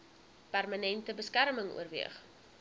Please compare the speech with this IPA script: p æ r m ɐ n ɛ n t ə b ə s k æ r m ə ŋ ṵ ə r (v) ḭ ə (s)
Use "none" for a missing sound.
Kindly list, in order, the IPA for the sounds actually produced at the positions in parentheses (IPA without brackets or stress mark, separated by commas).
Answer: v, χ